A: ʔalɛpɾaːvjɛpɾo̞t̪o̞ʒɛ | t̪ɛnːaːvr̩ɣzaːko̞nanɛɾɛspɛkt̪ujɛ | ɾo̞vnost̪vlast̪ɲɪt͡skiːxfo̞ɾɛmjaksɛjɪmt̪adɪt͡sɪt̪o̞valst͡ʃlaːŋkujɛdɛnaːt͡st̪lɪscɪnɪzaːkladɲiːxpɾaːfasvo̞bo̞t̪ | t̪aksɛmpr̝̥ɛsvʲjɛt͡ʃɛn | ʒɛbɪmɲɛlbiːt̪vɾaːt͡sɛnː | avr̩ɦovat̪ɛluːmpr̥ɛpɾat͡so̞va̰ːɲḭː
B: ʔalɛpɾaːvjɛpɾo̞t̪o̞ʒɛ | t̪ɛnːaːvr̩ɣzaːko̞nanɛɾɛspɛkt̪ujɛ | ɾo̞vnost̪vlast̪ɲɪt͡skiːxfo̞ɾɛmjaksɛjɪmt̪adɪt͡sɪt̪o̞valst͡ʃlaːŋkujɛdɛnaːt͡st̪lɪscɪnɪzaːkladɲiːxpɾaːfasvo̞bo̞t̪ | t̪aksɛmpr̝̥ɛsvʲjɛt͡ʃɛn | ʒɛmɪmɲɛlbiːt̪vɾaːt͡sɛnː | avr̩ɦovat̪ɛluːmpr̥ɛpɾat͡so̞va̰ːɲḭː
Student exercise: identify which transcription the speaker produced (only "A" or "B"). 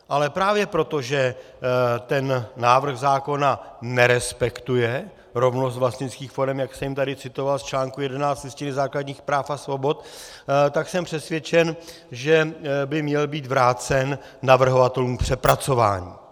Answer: A